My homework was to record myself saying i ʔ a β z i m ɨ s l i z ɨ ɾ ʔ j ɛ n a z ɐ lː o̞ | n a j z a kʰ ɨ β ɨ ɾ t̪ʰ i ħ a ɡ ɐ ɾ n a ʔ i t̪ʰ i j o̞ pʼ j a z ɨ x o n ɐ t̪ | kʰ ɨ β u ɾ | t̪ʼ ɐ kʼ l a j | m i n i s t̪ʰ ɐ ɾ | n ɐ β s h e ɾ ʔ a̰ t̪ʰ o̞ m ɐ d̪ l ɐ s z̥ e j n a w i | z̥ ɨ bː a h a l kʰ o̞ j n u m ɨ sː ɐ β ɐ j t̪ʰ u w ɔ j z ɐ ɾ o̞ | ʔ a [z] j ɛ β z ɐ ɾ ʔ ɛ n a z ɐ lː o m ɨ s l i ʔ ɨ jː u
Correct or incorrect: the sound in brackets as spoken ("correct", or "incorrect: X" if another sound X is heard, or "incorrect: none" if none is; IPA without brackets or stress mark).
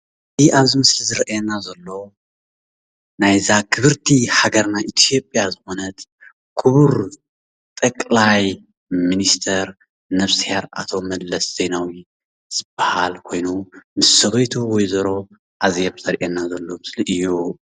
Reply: correct